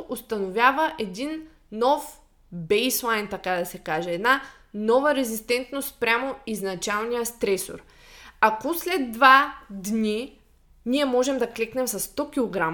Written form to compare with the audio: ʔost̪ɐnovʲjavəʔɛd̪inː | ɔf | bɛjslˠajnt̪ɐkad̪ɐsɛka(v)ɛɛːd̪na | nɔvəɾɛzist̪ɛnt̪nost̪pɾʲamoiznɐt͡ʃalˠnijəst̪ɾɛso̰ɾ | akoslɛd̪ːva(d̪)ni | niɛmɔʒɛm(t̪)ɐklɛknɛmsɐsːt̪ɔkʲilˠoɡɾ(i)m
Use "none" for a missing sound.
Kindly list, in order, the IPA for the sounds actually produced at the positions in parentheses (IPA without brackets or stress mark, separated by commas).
ʒ, d̪, d̪, a